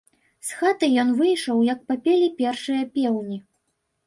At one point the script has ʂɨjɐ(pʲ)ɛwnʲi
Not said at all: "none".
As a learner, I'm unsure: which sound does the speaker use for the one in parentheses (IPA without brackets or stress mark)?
pʲ